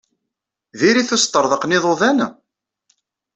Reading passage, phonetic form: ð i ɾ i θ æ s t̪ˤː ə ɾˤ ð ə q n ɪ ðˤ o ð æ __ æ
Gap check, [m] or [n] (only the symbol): n